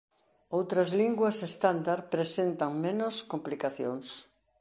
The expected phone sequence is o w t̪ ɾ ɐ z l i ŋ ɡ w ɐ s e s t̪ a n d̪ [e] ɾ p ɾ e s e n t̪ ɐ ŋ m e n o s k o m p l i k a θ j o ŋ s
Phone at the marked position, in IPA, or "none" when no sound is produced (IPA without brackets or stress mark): a